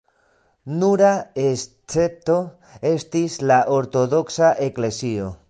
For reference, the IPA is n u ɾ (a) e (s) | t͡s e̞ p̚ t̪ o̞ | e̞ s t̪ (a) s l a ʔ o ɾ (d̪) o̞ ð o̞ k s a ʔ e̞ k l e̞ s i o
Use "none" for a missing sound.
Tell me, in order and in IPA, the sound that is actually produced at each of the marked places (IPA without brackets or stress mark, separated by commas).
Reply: a, s, i, t̪